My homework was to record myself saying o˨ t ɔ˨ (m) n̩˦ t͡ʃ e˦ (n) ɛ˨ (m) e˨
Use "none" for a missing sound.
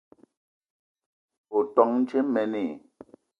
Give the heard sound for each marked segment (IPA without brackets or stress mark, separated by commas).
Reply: ŋ, m, n